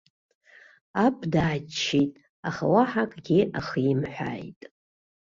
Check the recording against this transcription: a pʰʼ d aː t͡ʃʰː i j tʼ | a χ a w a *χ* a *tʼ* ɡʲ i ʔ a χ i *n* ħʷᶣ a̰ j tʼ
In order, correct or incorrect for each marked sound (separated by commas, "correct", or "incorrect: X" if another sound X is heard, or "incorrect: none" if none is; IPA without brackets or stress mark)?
incorrect: ħ, incorrect: kʼ, incorrect: m